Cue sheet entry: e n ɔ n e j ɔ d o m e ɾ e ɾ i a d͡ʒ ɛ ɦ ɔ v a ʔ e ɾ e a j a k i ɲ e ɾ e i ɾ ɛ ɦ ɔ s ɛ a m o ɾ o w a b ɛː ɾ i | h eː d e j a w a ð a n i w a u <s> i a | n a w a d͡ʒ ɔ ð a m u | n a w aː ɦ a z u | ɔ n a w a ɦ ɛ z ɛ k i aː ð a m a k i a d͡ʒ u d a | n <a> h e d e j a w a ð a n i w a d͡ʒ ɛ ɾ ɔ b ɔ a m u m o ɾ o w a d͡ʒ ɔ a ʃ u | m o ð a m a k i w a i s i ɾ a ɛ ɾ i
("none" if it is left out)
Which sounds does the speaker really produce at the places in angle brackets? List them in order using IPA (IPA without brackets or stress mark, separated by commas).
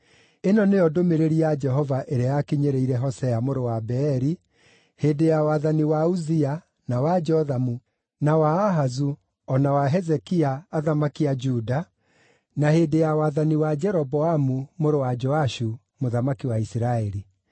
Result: z, a